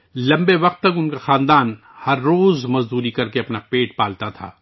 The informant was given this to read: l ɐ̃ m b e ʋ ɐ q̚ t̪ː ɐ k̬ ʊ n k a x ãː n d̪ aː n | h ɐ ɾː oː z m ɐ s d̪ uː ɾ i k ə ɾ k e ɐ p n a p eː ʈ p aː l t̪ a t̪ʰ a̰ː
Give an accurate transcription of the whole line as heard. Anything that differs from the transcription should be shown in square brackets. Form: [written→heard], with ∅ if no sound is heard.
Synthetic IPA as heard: l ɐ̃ m b e ʋ ɐ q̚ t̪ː ɐ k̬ ʊ n k a x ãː n d̪ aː n | h ɐ ɾː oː z m ɐ [s→z] d̪ uː ɾ i k [ə→ɐ] ɾ k e ɐ p n a p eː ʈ p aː l t̪ a t̪ʰ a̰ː

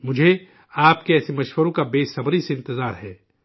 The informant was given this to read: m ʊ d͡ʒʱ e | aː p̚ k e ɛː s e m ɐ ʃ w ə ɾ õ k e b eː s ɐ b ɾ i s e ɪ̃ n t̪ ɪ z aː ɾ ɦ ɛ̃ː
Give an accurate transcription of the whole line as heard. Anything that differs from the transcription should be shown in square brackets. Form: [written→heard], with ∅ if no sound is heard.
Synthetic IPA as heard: m ʊ d͡ʒʱ e | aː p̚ k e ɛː s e m ɐ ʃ w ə ɾ õ k [e→a] b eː s ɐ b ɾ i s e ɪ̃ n t̪ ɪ z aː ɾ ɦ [ɛ̃ː→ɛː]

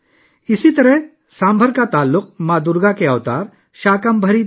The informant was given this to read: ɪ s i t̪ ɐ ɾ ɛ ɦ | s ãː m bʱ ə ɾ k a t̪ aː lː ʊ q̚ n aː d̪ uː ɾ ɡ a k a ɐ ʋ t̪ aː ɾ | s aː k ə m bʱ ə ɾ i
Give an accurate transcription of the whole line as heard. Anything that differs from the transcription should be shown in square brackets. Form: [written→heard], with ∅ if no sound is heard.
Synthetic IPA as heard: ɪ s i t̪ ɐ ɾ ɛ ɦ | s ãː m bʱ ə ɾ k a t̪ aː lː ʊ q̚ [n→m] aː d̪ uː ɾ ɡ a k [a→e] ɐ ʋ t̪ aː ɾ | [s→ʃ] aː k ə m bʱ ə ɾ i

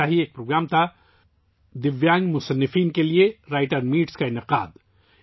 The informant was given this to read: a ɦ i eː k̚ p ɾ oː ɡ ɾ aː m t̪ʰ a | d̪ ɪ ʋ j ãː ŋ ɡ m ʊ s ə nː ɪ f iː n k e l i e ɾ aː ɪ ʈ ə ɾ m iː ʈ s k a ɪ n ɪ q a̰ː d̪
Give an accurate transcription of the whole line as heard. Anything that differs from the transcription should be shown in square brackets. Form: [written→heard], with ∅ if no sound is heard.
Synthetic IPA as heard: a ɦ i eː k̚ p ɾ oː ɡ ɾ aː m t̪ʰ a | d̪ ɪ ʋ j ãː ŋ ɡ m ʊ s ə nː ɪ f iː n k e l i e ɾ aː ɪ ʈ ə ɾ m iː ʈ s k a ɪ n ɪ q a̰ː d̪

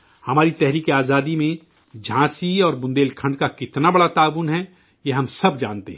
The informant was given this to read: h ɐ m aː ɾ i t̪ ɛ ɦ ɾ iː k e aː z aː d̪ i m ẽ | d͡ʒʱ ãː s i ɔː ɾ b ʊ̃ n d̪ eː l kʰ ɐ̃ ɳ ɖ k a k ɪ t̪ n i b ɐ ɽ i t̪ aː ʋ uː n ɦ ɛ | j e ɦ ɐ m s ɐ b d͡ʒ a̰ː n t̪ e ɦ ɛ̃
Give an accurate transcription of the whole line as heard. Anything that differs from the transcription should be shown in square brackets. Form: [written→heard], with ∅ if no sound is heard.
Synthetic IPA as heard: h ɐ m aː ɾ i t̪ ɛ ɦ ɾ iː k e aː z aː d̪ i m ẽ | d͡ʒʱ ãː s i ɔː ɾ b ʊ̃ n d̪ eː l kʰ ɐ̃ ɳ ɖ k a k ɪ t̪ n [i→a] b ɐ ɽ [i→a] t̪ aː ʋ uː n ɦ ɛ | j e ɦ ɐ m s ɐ b d͡ʒ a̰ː n t̪ e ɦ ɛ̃

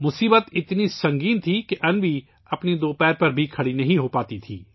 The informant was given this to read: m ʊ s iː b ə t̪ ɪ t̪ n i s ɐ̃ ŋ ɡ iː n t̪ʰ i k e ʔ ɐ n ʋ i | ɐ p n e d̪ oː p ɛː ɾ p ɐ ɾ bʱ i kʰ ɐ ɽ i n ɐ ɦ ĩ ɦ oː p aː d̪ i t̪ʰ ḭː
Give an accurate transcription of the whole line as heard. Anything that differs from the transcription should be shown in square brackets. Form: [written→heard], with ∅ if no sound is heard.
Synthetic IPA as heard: m ʊ s iː b ə t̪ ɪ t̪ n i s ɐ̃ ŋ ɡ iː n t̪ʰ i k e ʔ ɐ n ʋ i | ɐ p n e d̪ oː p ɛː ɾ p ɐ ɾ bʱ i kʰ ɐ ɽ i n ɐ ɦ ĩ ɦ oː p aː [d̪→t̪] i t̪ʰ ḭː

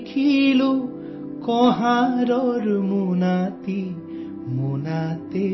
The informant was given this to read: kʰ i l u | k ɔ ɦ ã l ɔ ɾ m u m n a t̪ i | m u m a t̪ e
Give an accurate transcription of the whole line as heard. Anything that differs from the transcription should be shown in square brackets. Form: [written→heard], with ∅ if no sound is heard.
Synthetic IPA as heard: kʰ i l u | k ɔ ɦ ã [l→ɾ] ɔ ɾ m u [m→∅] n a t̪ i | m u [m→n] a t̪ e

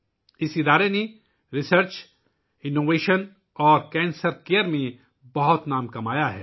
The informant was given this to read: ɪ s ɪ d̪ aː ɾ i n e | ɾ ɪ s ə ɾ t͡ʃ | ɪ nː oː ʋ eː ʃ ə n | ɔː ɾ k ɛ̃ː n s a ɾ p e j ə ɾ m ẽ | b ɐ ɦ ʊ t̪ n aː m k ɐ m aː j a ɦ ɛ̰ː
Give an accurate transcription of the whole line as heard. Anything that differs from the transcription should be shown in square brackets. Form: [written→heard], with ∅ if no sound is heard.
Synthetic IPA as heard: ɪ s ɪ d̪ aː ɾ [i→e] n e | ɾ ɪ s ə ɾ t͡ʃ | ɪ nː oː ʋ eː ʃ ə n | ɔː ɾ k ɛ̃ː n s [a→ə] ɾ [p→k] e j ə ɾ m ẽ | b ɐ ɦ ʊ t̪ n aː m k ɐ m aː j a ɦ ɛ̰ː

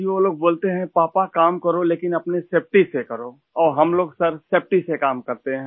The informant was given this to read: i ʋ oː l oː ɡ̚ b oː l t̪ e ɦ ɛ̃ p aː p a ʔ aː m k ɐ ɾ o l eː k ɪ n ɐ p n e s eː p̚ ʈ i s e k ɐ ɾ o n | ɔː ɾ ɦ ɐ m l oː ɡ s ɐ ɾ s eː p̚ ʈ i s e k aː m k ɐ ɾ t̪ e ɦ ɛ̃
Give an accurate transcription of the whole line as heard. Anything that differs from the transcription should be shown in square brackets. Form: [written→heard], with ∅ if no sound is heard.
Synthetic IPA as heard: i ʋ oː l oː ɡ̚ b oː l t̪ e ɦ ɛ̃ p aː p a [ʔ→k] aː m k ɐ ɾ o l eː k ɪ n ɐ p n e s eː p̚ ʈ i s e k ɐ ɾ o [n→∅] | ɔː ɾ ɦ ɐ m l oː ɡ s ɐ ɾ s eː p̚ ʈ i s e k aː m k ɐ ɾ t̪ e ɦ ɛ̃

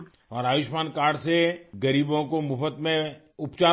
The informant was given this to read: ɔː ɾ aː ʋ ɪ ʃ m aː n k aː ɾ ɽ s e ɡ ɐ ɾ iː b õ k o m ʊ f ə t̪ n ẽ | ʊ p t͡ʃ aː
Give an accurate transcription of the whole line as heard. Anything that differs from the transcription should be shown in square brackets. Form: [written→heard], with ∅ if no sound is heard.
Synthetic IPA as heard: ɔː ɾ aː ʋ ɪ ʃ m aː n k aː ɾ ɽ s e ɡ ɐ ɾ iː b õ k o m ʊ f ə t̪ [n→m] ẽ | ʊ p t͡ʃ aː

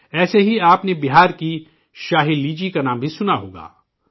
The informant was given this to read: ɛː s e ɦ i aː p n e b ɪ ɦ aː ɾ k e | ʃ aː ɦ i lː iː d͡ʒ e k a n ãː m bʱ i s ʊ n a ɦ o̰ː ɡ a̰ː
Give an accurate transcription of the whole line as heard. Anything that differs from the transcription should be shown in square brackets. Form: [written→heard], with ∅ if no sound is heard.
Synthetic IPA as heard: ɛː s e ɦ i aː p n e b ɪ ɦ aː ɾ k [e→i] | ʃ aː ɦ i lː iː d͡ʒ [e→i] k a n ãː m bʱ i s ʊ n a ɦ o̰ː ɡ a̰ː

